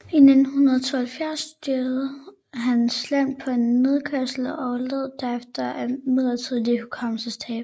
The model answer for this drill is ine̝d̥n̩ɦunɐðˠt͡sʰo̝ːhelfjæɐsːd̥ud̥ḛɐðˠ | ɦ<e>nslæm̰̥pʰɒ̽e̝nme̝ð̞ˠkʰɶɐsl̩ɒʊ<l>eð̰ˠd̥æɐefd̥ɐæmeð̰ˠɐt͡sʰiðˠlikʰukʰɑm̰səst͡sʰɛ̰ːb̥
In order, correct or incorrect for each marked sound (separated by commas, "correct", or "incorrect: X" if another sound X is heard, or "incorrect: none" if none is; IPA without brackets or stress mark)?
incorrect: æ, correct